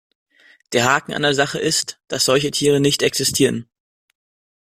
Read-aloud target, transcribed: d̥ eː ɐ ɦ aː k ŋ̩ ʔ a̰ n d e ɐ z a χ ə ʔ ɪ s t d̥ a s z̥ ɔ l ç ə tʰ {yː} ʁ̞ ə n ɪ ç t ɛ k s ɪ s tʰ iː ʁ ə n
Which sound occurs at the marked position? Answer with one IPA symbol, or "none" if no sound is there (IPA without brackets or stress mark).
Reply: iː